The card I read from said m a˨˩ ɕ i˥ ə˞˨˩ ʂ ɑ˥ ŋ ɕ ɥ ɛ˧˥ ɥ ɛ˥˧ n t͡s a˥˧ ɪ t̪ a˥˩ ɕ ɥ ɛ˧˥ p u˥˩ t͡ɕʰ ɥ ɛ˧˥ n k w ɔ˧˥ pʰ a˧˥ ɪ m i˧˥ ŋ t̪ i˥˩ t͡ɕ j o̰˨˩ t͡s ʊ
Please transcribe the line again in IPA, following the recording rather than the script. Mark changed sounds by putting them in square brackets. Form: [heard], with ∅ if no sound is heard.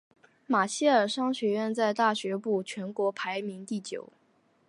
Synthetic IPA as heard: m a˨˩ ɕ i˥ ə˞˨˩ ʂ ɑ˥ ŋ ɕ ɥ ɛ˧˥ ɥ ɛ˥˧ n t͡s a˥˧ ɪ t̪ a˥˩ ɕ ɥ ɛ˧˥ p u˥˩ t͡ɕʰ ɥ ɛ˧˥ n k w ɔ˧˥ pʰ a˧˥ ɪ m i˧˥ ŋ t̪ i˥˩ t͡ɕ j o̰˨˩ [∅] ʊ